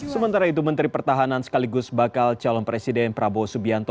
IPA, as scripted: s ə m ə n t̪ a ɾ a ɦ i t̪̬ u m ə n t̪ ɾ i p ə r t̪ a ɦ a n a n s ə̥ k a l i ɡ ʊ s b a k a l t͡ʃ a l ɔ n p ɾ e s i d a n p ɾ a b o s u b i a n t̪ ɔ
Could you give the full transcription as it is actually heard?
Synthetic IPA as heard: s ə m ə n t̪ a ɾ a i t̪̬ u m ə n t̪ ɾ i p ə r t̪ a ɦ a n a n s ə̥ k a l i ɡ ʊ s b a k a l t͡ʃ a l ɔ n p ɾ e s i d ɛ n p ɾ a b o s u b i a n t̪ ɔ